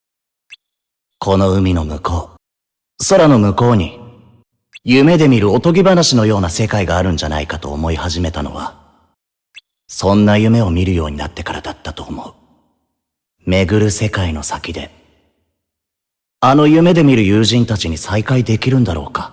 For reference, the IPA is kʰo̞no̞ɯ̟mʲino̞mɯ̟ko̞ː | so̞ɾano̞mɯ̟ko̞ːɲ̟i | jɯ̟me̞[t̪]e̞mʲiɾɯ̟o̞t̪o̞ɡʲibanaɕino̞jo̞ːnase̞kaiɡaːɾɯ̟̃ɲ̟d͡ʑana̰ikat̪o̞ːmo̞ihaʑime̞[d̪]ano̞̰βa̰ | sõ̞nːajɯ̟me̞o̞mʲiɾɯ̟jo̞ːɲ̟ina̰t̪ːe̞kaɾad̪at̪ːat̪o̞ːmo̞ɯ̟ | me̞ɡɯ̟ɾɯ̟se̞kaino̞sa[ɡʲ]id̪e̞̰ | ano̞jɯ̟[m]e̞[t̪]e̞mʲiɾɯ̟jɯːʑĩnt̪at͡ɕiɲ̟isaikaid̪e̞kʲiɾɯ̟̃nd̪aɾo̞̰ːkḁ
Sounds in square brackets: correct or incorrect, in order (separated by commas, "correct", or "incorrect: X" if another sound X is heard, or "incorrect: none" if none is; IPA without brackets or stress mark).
incorrect: d̪, incorrect: t̪, incorrect: kʲ, correct, incorrect: d̪